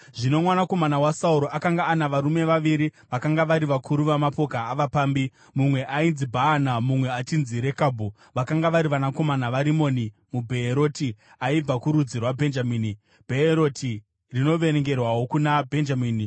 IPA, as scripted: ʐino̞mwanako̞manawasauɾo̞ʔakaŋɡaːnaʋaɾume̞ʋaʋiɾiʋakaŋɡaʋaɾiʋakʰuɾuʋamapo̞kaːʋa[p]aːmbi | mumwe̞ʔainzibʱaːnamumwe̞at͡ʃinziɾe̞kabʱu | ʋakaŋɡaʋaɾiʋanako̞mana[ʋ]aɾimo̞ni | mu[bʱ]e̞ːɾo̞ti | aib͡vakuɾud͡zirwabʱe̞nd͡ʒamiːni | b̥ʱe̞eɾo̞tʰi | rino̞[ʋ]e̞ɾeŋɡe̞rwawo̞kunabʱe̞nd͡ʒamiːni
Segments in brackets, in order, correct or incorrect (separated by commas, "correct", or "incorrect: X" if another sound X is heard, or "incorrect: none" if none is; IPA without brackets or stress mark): correct, correct, correct, correct